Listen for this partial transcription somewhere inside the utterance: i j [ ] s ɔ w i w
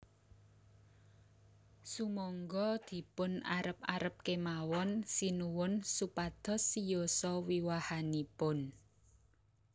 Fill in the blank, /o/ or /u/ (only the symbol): o